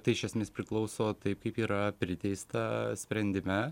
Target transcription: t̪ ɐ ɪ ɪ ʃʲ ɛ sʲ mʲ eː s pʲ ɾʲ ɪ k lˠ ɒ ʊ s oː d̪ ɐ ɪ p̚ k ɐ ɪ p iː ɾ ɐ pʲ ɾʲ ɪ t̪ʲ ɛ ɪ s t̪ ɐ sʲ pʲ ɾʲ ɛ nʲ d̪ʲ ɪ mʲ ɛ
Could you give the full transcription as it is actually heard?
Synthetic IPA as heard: t̪ ɐ ɪ ɪ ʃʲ ɛ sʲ mʲ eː s pʲ ɾʲ ɪ k lˠ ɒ ʊ s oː t̪ ɐ ɪ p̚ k ɐ ɪ p iː ɾ ɐ pʲ ɾʲ ɪ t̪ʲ ɛ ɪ s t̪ ɐ sʲ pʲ ɾʲ ɛ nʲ d̪ʲ ɪ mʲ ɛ